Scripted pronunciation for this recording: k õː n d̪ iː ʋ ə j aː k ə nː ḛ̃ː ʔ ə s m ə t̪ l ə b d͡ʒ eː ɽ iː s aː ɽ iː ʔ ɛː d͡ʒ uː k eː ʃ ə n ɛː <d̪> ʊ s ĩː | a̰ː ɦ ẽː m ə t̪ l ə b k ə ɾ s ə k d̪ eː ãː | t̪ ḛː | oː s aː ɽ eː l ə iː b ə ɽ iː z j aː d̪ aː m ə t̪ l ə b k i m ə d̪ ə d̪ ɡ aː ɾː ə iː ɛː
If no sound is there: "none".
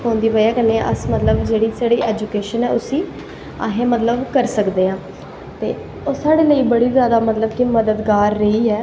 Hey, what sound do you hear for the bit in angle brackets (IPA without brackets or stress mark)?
none